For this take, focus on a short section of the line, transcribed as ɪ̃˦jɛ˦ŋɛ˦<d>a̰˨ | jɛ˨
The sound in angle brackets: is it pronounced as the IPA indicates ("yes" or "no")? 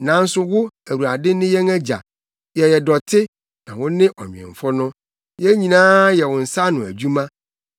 no